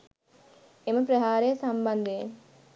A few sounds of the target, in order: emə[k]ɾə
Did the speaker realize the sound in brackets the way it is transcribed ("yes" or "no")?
no